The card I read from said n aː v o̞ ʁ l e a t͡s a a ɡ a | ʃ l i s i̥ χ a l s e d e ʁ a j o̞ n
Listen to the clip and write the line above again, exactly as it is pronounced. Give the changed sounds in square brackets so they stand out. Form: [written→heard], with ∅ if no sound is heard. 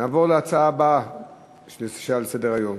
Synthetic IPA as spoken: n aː v o̞ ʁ l e a t͡s a a [ɡ→b] a | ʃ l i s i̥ [χ→ʃ] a l s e d e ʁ a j o̞ [n→m]

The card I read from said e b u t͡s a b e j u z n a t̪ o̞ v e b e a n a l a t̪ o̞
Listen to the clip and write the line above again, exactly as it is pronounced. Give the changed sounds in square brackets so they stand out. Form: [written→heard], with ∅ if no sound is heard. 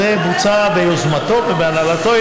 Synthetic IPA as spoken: e b u t͡s a b e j [u→o] z [n→m] a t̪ o̞ v e b e a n a l a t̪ o̞

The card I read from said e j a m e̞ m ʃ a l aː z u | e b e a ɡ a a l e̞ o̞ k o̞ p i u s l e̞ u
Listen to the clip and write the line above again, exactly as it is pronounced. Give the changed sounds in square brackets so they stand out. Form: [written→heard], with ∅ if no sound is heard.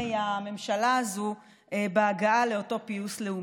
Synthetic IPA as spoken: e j a m e̞ m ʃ a l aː z u | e b e a ɡ a a l e̞ o̞ [k→t] o̞ p i u s l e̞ u

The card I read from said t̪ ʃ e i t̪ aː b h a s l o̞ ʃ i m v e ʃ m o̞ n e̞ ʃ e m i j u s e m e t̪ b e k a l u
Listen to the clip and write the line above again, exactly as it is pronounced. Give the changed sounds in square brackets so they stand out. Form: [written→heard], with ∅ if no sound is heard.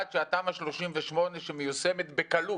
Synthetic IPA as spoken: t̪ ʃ e [i→a] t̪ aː [b→m] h a [s→ʃ] l o̞ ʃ i m v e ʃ m o̞ n e̞ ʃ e m [i→e] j u s e m e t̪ b e k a l u

